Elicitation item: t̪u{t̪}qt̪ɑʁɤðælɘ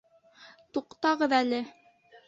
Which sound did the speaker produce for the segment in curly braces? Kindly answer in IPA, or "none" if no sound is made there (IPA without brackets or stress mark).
none